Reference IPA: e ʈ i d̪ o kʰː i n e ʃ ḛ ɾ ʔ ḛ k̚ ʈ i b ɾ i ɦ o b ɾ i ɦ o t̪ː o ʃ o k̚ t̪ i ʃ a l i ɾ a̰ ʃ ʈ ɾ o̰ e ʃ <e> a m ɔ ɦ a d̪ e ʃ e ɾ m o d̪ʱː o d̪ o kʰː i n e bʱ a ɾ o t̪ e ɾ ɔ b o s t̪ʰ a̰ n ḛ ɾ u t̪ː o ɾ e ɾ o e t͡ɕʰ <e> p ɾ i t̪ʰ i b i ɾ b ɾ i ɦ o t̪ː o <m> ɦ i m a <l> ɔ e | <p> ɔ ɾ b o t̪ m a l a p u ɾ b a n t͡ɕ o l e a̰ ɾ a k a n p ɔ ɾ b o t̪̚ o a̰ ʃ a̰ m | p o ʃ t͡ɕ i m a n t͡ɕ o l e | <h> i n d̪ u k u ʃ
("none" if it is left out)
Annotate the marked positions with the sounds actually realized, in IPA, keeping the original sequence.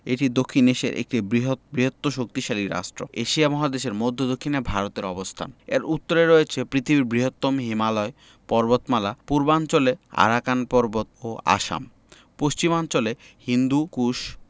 i, e, m, l, p, h

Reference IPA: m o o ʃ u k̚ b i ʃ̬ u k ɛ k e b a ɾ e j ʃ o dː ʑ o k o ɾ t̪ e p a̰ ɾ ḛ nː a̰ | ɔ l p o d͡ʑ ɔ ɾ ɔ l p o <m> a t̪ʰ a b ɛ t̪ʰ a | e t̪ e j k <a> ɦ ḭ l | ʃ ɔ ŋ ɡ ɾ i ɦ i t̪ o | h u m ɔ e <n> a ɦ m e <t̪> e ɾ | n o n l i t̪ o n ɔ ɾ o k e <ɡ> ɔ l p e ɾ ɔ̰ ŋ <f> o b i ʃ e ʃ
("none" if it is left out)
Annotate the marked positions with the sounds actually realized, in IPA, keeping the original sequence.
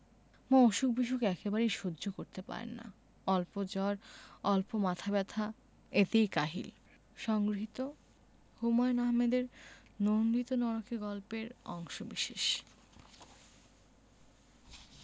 m, a, n, d̪, ɡ, ʃ

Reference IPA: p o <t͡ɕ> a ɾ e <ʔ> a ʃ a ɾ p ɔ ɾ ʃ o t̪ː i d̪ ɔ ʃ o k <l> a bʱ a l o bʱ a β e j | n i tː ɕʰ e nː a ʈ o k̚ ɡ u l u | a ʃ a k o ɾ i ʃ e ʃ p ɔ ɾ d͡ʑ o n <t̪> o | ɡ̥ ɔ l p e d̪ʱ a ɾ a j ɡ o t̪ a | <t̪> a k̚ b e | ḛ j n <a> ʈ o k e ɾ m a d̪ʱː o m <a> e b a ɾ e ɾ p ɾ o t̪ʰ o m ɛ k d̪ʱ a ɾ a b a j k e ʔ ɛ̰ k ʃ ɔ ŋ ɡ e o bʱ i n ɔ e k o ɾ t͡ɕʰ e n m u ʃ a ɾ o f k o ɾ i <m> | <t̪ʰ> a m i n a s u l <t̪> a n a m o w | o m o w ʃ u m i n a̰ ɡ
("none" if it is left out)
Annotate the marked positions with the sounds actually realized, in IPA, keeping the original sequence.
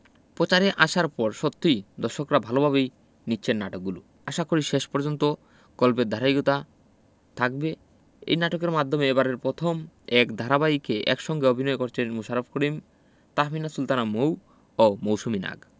t͡ɕ, ʔ, ɾ, t̪, t̪ʰ, a, e, m, t̪, t̪

